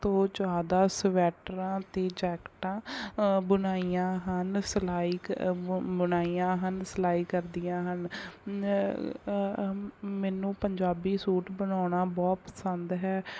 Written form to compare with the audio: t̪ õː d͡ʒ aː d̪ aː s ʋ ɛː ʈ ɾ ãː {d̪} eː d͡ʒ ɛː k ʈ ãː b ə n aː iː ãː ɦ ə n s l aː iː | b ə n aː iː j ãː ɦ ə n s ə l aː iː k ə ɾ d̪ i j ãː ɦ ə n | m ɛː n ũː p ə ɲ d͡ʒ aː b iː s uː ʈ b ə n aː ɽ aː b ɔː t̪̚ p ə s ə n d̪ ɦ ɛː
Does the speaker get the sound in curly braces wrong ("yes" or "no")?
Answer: yes